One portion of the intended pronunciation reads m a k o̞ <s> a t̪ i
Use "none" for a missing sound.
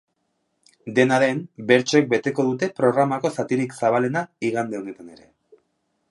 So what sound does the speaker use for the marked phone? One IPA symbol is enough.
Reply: s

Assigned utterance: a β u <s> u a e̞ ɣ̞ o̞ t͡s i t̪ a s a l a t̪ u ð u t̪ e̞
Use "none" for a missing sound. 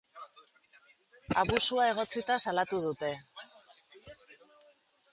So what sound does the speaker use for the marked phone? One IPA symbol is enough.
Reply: s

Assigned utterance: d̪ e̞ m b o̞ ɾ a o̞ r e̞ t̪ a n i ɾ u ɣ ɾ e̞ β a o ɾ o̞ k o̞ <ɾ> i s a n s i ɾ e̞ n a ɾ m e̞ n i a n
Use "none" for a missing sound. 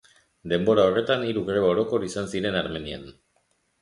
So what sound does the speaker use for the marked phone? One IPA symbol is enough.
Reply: ɾ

